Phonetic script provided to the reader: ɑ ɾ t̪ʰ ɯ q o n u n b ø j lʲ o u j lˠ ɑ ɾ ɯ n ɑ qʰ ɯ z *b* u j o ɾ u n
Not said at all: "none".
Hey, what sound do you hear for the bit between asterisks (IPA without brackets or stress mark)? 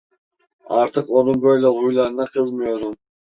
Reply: m